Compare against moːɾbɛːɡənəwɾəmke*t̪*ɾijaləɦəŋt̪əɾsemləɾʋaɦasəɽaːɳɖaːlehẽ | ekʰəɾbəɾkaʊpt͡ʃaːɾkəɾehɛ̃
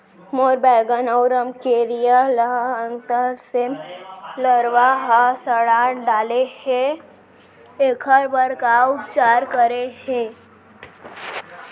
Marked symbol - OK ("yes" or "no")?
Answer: no